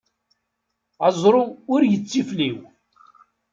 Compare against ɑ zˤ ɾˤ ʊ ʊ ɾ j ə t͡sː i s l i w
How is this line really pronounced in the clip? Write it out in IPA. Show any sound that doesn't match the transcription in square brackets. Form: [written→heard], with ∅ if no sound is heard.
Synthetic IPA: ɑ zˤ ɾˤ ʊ ʊ ɾ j ə t͡sː i [s→f] l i w